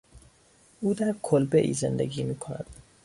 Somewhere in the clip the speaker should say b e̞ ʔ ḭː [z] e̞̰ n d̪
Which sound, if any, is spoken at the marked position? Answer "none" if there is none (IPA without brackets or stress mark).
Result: z